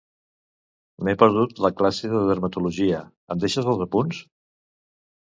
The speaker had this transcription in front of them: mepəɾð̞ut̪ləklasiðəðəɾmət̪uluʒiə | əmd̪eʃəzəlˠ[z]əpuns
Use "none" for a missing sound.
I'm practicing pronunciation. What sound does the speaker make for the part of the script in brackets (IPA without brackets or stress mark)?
z